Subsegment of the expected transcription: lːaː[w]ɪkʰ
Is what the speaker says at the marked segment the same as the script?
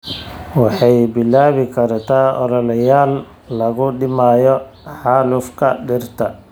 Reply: no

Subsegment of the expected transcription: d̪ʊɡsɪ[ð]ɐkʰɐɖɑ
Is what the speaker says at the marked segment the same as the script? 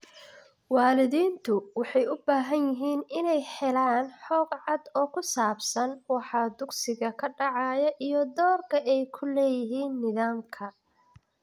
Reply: no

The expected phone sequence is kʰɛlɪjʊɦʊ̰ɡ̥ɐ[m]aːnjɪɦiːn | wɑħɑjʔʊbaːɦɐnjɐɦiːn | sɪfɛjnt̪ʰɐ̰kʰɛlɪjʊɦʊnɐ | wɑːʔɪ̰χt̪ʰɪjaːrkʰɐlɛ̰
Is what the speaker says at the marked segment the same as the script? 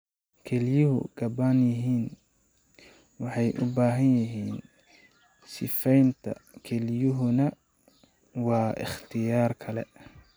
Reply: no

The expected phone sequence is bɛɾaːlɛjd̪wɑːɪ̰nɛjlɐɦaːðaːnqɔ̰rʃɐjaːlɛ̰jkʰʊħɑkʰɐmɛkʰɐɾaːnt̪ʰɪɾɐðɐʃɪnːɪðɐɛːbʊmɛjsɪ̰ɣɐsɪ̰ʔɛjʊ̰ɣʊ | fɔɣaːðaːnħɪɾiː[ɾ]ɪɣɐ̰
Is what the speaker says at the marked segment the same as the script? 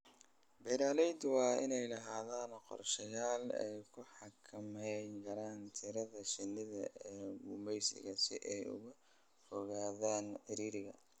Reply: yes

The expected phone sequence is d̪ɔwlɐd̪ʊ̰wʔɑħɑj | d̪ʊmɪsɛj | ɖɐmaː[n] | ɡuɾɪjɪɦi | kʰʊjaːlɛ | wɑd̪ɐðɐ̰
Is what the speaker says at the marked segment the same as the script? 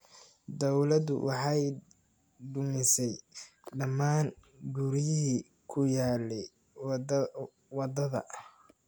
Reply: yes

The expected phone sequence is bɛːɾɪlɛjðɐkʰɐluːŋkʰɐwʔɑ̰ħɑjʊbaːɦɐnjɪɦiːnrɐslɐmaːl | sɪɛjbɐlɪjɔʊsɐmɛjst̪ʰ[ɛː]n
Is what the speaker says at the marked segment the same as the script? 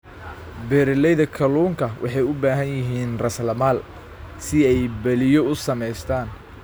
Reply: no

